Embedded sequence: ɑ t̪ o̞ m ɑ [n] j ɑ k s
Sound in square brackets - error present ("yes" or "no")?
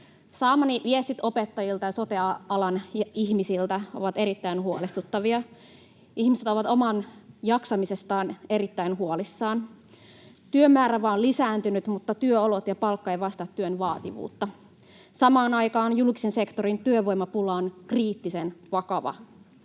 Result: no